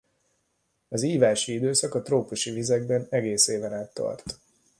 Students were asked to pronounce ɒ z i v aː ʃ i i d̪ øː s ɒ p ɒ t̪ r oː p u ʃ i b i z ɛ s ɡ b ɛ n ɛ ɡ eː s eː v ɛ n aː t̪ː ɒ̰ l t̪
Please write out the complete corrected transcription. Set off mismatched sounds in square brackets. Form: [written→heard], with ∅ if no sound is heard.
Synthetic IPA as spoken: ɒ z [i→iː] v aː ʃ i i d̪ øː s ɒ [p→k] ɒ t̪ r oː p u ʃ i [b→v] i z ɛ [s→∅] ɡ b ɛ n ɛ ɡ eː s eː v ɛ n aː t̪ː ɒ̰ [l→r] t̪